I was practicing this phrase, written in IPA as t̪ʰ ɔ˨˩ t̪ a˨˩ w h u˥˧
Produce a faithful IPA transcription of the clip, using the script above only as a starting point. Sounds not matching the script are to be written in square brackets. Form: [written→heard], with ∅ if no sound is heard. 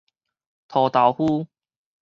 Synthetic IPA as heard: t̪ʰ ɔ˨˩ t̪ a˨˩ w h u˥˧